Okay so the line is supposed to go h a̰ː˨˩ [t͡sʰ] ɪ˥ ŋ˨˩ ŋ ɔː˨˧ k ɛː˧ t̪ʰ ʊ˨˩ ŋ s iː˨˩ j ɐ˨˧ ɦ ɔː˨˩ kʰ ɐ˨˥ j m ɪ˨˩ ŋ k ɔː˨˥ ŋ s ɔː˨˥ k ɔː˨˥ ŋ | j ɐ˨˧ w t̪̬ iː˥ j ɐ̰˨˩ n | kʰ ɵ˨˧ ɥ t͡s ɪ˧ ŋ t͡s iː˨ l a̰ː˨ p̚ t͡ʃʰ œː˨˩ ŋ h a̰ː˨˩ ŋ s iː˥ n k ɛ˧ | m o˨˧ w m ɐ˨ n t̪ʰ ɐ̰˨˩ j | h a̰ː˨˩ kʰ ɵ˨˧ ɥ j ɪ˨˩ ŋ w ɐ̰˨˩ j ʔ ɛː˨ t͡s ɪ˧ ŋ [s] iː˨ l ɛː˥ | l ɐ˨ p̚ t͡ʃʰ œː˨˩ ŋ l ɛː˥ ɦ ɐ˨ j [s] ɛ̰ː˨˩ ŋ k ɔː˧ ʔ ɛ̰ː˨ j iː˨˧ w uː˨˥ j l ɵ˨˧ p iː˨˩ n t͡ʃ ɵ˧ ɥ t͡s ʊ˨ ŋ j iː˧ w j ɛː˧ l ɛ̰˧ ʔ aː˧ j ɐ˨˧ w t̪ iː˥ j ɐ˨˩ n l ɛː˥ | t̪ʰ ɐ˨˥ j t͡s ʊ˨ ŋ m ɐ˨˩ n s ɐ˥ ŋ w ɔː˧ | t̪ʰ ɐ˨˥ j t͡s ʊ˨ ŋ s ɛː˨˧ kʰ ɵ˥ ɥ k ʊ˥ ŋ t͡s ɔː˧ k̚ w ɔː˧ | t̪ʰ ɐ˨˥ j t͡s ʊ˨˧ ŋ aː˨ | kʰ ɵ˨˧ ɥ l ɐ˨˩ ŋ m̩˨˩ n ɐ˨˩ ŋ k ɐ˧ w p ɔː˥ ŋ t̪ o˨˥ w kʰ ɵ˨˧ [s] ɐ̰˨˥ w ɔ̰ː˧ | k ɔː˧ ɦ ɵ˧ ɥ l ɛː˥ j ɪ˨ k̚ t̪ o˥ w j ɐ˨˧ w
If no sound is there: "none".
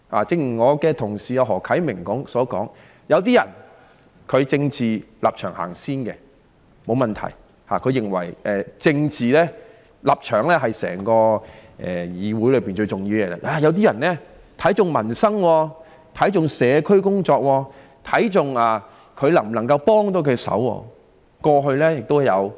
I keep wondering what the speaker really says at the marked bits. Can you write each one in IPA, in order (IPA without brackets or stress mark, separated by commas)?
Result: t͡s, t͡s, s, s